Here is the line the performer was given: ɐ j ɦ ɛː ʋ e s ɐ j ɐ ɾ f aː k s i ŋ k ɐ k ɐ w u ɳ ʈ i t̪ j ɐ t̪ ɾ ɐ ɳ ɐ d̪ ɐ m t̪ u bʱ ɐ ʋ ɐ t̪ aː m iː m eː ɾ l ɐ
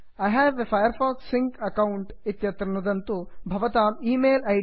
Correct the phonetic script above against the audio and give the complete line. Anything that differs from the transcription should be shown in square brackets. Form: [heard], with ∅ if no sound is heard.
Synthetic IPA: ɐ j ɦ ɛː ʋ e [f] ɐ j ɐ ɾ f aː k s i ŋ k ɐ k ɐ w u ɳ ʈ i t̪ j ɐ t̪ ɾ ɐ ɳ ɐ d̪ ɐ [n] t̪ u bʱ ɐ ʋ ɐ t̪ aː m iː m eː [∅] l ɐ